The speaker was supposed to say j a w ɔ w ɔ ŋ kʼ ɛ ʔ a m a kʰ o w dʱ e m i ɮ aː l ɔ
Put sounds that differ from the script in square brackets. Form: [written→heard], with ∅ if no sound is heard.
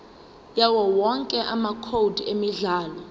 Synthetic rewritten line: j a w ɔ w ɔ ŋ kʼ ɛ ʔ a m a kʰ o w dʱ e m i ɮ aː l ɔ